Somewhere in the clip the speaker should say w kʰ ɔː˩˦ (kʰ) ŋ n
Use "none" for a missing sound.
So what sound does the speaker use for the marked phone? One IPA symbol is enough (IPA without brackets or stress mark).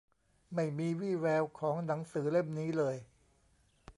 none